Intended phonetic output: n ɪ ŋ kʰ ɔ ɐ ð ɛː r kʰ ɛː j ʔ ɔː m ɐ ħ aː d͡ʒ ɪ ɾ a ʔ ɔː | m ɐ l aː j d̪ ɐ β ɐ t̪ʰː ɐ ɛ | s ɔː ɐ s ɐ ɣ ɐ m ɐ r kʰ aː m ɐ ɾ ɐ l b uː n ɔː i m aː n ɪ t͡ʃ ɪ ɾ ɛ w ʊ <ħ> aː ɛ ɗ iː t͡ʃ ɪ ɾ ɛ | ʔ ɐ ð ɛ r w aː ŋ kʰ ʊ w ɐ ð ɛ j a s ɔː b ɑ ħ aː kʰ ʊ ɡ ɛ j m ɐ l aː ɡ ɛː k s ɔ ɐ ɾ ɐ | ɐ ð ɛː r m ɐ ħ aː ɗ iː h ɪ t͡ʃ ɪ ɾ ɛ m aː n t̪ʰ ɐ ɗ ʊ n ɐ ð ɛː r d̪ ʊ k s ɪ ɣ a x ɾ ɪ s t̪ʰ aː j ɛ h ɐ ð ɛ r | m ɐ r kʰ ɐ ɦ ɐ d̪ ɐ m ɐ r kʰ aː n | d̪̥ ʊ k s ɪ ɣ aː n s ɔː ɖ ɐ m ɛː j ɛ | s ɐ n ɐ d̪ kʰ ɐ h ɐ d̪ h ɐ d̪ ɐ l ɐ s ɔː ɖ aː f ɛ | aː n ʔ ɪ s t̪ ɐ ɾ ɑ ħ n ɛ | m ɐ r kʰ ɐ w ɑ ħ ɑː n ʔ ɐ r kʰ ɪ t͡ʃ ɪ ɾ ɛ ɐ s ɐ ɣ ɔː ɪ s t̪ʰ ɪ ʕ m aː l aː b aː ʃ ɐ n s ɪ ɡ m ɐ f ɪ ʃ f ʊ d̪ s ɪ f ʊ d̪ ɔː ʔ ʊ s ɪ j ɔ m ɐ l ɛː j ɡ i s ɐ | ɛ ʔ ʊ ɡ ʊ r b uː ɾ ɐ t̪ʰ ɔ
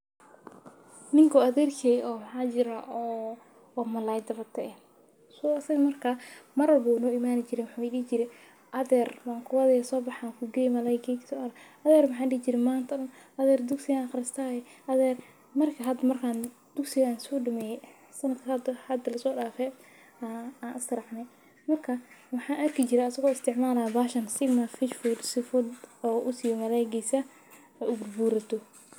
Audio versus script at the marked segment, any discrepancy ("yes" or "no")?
no